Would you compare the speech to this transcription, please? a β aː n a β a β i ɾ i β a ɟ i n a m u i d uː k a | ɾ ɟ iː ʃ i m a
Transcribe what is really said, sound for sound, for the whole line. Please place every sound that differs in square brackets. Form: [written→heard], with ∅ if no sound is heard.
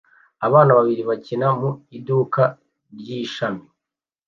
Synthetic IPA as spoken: a β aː n a β a β i ɾ i β a [ɟ→c] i n a m u i d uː k a | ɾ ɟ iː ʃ [i→a] m [a→i]